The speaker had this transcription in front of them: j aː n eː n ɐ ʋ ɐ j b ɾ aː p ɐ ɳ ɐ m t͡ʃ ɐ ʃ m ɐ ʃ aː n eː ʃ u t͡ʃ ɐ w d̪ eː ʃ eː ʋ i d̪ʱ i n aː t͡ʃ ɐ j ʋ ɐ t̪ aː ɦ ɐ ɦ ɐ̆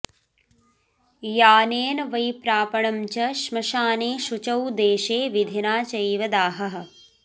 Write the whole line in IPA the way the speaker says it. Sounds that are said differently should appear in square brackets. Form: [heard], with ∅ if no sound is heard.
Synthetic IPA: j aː n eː n ɐ ʋ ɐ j [p] ɾ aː p ɐ ɳ ɐ m t͡ʃ ɐ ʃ m ɐ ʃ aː n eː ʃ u t͡ʃ ɐ w d̪ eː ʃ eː ʋ i d̪ʱ i n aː t͡ʃ ɐ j ʋ ɐ [d̪] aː ɦ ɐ ɦ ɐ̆